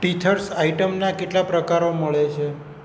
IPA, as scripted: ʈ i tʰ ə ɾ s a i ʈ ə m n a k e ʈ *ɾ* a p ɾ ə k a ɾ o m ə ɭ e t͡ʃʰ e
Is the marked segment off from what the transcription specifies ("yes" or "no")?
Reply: yes